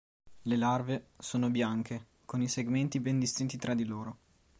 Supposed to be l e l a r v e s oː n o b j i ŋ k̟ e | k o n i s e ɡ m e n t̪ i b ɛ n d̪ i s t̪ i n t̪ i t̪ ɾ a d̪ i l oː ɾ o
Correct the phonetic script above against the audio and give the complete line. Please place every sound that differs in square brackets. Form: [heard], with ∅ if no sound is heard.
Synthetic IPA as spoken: l e l a r v e s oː n o b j [a] ŋ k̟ e | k o n i s e ɡ m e n t̪ i b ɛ n d̪ i s t̪ i n t̪ i t̪ ɾ a d̪ i l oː ɾ o